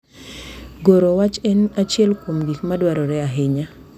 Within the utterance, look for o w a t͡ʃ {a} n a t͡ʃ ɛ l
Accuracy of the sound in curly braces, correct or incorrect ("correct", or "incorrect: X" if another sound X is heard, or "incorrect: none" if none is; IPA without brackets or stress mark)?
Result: incorrect: ɛ